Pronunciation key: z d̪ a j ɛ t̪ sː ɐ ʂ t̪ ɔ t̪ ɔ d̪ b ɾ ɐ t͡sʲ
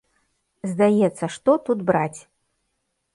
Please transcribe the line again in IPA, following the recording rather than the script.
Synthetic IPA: z d̪ a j ɛ t̪ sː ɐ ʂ t̪ ɔ t̪ u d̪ b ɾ a t͡sʲ